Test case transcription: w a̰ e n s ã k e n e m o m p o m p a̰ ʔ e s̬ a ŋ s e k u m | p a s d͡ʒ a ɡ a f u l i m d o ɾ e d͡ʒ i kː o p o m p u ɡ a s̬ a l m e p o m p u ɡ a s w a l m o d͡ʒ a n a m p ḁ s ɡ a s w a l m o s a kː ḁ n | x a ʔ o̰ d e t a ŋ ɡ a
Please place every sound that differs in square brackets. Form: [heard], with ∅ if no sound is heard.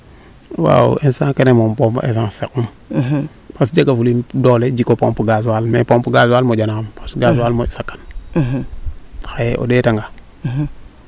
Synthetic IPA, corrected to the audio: w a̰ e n s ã k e n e m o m p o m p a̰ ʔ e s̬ a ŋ s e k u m | p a s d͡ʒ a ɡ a f u l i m d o [l] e d͡ʒ i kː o p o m p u ɡ a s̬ a l m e p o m p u ɡ a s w a l m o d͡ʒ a n a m p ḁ s ɡ a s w a l m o s a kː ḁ n | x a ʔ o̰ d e t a ŋ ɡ a